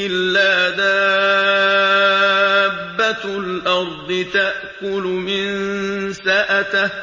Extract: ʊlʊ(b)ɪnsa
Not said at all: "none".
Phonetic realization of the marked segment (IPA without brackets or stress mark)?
m